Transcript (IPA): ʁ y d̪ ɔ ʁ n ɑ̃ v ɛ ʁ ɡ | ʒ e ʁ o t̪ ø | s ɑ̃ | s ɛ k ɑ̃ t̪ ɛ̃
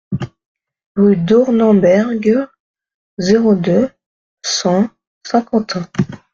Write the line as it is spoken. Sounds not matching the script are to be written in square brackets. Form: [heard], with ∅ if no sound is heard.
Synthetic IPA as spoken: ʁ y d̪ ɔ ʁ n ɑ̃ [b] ɛ ʁ ɡ | [z] e ʁ o [d̪] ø | s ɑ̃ | s [ɛ̃] k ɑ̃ t̪ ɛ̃